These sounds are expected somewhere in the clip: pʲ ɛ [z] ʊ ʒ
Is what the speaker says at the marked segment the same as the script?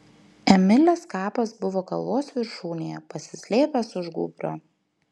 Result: no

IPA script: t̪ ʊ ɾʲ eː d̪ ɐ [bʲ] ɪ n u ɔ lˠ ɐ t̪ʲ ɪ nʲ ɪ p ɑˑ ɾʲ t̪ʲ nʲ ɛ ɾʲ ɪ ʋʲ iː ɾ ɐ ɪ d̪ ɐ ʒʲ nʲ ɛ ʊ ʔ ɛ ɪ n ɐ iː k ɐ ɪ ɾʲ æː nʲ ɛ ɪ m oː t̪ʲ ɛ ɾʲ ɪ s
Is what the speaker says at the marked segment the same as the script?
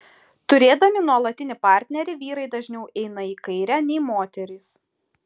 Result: no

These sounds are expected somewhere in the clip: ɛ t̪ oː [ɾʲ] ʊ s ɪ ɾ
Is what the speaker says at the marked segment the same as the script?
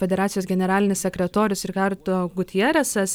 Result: yes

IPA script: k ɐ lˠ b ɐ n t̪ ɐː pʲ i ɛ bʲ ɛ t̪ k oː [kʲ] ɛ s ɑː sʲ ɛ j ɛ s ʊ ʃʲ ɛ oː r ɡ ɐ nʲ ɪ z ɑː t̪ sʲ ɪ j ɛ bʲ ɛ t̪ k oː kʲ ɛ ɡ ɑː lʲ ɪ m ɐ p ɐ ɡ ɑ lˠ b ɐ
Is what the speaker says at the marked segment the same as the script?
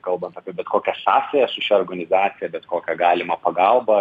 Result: yes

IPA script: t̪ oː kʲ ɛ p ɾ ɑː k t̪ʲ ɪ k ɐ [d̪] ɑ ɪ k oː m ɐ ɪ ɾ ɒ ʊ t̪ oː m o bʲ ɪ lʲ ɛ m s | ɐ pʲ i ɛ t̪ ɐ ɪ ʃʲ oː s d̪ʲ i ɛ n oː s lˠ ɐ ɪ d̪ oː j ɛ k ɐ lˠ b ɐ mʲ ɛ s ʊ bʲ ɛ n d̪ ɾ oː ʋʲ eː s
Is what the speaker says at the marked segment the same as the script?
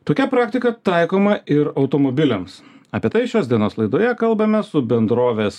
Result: no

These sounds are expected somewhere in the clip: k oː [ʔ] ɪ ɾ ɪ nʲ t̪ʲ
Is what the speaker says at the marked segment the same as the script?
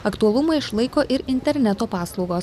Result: yes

